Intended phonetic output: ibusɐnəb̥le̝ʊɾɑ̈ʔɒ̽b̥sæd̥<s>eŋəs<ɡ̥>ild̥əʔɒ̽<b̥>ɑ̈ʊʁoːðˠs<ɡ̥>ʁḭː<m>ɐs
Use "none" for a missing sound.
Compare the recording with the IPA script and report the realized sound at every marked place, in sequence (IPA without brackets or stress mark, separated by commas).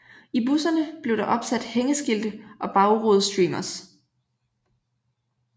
h, ɡ̥, b̥, d̥, m